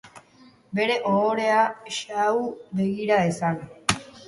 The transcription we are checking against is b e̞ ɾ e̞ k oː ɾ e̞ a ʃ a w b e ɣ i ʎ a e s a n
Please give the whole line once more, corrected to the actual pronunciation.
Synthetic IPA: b e̞ ɾ e̞ ʔ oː ɾ e̞ a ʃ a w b e ɣ i ɾ a e s a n